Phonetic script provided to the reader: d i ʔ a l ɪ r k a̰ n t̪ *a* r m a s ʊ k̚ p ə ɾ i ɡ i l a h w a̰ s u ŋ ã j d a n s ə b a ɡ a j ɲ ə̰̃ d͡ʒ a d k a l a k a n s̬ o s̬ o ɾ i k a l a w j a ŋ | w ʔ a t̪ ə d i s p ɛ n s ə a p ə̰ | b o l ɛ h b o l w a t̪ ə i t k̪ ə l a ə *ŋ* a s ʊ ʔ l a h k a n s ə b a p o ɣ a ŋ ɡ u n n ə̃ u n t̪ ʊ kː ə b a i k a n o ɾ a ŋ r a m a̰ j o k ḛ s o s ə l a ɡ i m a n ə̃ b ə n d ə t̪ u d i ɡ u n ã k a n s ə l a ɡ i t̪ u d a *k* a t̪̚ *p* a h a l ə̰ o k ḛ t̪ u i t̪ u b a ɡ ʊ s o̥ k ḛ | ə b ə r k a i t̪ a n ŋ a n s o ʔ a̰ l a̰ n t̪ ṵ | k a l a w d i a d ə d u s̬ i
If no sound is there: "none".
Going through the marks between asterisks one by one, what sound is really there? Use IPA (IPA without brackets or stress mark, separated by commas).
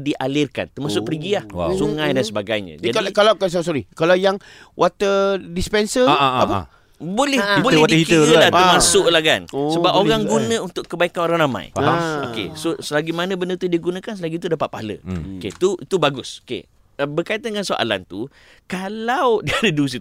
ə, m, p, p